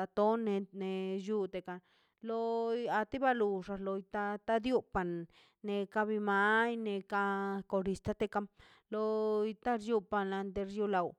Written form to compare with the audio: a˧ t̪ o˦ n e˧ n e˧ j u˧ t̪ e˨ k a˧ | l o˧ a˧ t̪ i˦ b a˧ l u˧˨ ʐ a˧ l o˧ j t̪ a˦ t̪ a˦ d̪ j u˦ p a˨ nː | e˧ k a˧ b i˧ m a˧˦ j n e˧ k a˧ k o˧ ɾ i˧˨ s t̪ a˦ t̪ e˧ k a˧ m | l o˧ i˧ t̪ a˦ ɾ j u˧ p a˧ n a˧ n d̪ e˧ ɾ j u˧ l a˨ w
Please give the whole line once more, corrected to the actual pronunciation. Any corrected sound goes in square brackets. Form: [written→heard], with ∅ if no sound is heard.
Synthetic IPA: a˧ t̪ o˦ n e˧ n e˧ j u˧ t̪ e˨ k a˧ | l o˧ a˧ t̪ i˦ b a˧ l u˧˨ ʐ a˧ l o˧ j t̪ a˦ t̪ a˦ d̪ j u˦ p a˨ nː | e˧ k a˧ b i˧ m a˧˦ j n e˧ k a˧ k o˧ ɾ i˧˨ s t̪ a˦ t̪ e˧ k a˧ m | l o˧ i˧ t̪ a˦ ɾ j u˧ p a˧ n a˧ n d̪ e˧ ɾ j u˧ l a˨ w